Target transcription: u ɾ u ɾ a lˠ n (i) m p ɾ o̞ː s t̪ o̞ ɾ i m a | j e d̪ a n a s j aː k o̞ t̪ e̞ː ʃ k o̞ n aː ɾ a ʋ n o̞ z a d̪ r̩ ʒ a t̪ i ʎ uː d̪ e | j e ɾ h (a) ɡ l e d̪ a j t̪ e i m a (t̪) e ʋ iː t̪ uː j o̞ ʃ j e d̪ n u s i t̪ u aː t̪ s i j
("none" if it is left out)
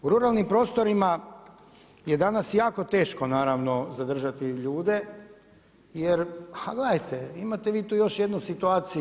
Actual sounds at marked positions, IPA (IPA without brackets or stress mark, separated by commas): i, a, t̪